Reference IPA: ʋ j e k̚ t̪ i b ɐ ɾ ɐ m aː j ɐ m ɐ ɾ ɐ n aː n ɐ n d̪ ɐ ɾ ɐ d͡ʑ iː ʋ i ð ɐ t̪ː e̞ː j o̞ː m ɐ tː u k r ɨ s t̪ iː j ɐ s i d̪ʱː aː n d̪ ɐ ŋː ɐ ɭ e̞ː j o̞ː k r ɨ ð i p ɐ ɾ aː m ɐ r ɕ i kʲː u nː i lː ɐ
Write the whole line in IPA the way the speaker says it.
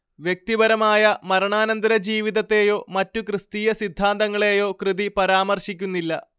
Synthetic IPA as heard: ʋ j e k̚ t̪ i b ɐ ɾ ɐ m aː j ɐ m ɐ ɾ ɐ ɳ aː n ɐ n d̪ ɐ ɾ ɐ d͡ʑ iː ʋ i ð ɐ t̪ː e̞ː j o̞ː m ɐ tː u k r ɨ s t̪ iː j ɐ s i d̪ʱː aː n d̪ ɐ ŋː ɐ ɭ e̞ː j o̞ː k r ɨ ð i p ɐ ɾ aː m ɐ r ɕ i kʲː u nː i lː ɐ